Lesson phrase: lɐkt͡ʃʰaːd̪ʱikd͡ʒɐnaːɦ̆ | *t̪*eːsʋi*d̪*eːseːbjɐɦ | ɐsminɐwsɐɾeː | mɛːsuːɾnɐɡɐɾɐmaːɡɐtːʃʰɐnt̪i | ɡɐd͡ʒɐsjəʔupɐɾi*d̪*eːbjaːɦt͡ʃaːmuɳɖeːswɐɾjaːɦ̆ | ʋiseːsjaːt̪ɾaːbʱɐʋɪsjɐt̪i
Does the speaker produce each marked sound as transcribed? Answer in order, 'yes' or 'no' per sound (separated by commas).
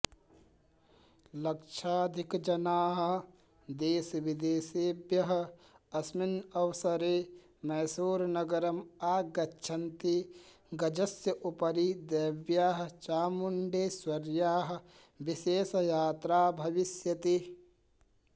no, yes, yes